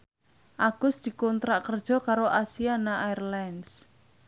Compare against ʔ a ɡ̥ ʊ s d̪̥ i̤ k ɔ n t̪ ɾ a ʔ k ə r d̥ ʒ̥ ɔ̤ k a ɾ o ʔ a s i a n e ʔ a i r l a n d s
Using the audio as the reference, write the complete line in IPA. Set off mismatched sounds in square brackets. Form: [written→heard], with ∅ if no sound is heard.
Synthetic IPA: ʔ a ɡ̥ ʊ s d̪̥ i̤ k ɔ n t̪ ɾ a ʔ k ə r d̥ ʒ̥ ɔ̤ k a ɾ o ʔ a s i a n [e→a] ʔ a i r l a n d s